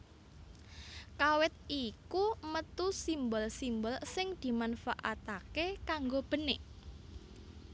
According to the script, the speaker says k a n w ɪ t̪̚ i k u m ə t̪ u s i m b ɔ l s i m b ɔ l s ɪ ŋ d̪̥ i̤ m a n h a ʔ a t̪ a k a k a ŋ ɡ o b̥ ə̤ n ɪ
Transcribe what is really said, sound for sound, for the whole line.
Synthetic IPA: k a w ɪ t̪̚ i k u m ə t̪ u s i m b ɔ l s i m b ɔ l s ɪ ŋ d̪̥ i̤ m a n f a ʔ a t̪ a k e k a ŋ ɡ o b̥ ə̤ n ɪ